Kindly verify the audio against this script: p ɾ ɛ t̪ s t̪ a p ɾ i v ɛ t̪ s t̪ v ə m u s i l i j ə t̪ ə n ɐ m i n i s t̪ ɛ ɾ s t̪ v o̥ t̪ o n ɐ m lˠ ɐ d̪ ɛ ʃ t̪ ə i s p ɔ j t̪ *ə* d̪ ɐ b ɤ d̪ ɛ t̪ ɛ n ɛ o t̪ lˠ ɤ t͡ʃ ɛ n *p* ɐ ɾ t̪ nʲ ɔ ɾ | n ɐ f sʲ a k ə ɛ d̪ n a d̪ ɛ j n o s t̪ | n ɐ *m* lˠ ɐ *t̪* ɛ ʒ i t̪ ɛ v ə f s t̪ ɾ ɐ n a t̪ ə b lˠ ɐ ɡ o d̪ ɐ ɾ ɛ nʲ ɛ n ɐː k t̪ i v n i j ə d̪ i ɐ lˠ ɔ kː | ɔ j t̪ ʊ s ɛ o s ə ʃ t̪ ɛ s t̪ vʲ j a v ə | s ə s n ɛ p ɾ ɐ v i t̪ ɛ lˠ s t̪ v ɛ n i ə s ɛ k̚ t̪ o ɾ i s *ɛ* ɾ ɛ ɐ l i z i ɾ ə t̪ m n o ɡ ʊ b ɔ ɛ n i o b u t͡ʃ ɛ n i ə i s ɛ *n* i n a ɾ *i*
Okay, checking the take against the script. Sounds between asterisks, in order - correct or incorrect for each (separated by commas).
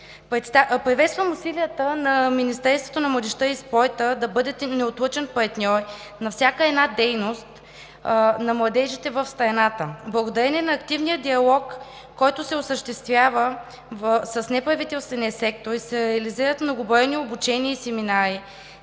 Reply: correct, correct, correct, incorrect, correct, incorrect, correct